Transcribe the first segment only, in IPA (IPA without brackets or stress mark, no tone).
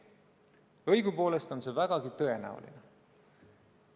ɤ